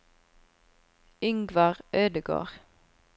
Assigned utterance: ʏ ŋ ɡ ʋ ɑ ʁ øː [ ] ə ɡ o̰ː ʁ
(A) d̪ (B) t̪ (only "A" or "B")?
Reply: A